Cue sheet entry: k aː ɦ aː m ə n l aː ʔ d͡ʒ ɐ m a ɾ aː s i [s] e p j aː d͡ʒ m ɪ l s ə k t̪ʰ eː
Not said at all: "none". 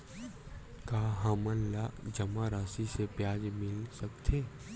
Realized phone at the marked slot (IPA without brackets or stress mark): s